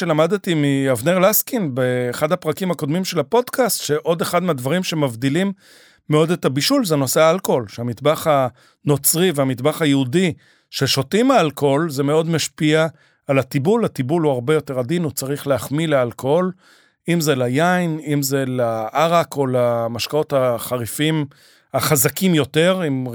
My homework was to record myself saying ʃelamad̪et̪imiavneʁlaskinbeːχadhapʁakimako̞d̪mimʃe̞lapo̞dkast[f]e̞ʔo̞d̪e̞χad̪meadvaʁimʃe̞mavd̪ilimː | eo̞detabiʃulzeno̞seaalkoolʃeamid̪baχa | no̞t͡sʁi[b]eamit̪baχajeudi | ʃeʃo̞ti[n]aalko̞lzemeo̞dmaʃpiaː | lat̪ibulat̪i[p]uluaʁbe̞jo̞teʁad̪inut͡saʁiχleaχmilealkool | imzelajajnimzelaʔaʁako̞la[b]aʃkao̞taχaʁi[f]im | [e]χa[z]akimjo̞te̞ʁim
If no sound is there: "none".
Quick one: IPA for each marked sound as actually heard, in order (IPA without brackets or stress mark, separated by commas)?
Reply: ʃ, v, m, b, m, f, a, z